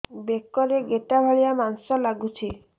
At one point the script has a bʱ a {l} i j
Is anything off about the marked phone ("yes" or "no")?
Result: yes